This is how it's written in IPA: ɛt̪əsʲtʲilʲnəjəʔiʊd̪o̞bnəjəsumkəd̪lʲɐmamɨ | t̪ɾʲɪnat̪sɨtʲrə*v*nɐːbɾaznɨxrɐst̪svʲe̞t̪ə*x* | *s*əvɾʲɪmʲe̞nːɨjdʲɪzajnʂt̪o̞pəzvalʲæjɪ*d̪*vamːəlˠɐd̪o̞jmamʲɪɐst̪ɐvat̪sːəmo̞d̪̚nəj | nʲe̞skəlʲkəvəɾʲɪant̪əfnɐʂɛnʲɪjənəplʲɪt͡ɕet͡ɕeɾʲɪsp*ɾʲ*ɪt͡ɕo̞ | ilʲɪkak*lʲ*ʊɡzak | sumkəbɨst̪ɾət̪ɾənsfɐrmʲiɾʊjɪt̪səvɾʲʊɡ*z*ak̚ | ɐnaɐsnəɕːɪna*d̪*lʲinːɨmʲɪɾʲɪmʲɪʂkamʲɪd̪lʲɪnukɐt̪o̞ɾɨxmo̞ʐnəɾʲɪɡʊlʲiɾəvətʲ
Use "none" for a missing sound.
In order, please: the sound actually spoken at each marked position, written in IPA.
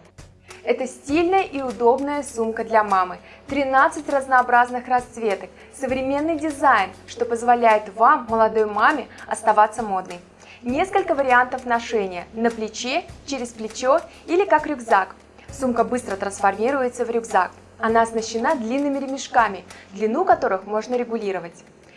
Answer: z, k, s, t̪, lʲ, ɾʲ, z, d̪

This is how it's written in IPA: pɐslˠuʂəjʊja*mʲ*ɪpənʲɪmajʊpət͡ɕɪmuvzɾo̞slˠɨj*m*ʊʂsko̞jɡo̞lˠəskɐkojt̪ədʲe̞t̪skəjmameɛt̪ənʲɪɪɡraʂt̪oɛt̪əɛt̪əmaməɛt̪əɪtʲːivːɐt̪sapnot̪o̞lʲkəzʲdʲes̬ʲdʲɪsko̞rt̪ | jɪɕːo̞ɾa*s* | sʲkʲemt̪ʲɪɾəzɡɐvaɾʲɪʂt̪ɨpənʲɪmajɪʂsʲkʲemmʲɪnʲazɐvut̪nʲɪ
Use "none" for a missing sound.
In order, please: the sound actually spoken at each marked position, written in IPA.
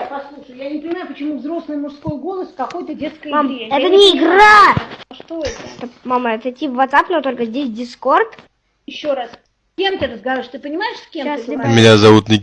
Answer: nʲ, m, s

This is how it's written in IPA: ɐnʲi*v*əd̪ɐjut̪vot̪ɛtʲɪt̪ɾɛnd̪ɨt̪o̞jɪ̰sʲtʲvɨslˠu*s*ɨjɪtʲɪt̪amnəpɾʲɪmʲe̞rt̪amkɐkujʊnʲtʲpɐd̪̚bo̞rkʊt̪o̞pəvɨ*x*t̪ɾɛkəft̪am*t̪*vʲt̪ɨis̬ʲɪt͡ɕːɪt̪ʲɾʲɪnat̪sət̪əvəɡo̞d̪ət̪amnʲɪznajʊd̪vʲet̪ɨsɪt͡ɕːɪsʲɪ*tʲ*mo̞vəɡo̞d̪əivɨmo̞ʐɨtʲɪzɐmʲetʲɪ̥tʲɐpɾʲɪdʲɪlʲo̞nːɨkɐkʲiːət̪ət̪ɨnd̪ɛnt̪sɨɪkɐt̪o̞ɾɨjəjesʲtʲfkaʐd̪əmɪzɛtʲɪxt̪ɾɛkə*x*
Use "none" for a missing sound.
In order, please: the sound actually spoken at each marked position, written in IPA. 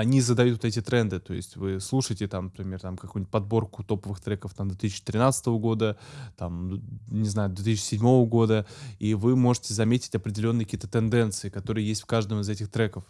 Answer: z, ʂ, x, d̪, dʲ, f

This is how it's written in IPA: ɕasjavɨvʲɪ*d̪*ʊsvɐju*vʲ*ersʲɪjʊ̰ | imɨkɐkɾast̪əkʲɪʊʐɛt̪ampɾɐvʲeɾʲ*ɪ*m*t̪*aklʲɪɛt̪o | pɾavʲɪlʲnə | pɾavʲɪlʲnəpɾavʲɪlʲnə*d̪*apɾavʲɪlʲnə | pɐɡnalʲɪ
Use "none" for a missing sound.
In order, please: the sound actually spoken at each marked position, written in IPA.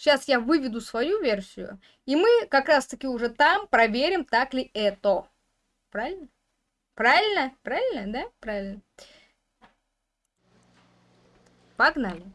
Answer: d̪, vʲ, ɪ, t̪, d̪

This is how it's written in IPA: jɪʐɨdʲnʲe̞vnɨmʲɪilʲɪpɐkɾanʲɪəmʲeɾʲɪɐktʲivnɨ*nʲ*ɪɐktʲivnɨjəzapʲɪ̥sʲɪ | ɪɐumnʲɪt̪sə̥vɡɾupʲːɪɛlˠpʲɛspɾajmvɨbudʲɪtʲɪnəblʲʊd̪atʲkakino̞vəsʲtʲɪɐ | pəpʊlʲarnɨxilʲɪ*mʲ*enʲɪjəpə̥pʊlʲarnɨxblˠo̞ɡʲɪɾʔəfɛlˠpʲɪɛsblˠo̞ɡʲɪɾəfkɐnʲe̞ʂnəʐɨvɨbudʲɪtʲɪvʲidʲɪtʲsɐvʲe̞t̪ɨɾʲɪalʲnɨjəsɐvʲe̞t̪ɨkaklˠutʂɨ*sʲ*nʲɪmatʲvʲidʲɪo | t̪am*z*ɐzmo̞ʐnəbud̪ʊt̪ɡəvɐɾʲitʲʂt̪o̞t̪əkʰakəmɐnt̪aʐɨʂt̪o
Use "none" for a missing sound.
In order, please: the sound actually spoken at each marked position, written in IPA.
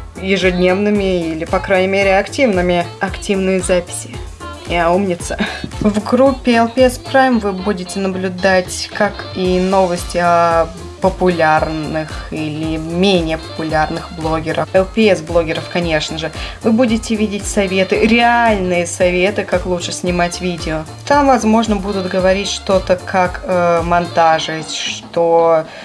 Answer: mʲ, mʲ, sʲ, v

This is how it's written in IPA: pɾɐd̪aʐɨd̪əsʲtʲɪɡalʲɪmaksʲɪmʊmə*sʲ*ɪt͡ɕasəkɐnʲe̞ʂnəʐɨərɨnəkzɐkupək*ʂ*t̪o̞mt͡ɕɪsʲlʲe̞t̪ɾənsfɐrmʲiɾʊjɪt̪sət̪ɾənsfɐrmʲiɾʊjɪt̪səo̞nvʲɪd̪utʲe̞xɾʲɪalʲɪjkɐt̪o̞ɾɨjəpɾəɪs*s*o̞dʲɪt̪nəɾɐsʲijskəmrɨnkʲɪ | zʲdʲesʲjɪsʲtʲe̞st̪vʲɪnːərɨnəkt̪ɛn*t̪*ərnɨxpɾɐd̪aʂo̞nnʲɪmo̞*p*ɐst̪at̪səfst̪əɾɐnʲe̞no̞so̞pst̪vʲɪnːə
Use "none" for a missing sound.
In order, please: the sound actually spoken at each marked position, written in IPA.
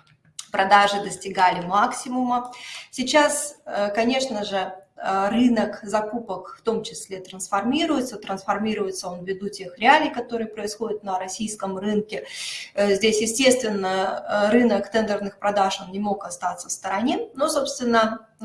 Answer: sʲ, f, x, d̪, k

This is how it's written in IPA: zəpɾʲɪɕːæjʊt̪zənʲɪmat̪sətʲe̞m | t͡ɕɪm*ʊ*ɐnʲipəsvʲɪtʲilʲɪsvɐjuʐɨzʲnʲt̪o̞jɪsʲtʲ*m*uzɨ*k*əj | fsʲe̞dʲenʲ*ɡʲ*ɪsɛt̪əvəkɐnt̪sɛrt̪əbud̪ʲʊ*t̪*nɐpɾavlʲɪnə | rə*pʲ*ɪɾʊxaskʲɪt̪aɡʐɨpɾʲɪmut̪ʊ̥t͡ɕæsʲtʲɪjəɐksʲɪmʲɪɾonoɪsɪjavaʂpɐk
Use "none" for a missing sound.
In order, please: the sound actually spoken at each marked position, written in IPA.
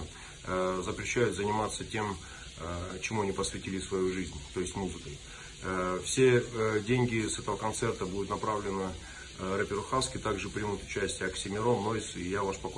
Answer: u, m, k, ɡʲ, t̪, pʲ

